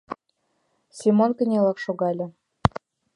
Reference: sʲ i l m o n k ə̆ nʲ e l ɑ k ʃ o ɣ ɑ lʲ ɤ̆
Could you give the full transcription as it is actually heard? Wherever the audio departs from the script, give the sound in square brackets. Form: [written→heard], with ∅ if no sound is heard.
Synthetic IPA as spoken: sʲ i [l→∅] m o n k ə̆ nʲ e l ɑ k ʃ o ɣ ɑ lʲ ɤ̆